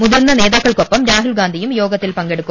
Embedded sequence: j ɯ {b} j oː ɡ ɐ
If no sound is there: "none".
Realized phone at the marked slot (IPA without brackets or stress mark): m